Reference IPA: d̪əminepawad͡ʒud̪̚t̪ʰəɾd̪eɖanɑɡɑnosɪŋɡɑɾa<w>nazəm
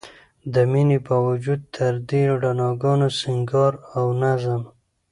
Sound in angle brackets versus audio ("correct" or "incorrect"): correct